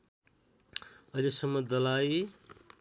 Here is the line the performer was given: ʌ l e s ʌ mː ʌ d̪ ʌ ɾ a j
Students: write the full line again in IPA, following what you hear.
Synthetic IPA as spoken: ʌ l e s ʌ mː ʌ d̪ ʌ l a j